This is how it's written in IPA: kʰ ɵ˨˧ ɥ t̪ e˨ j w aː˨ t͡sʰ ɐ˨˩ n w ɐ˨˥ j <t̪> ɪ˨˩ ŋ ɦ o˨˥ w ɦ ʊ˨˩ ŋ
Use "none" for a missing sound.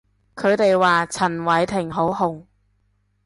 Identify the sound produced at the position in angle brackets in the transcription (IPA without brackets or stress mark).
t̪ʰ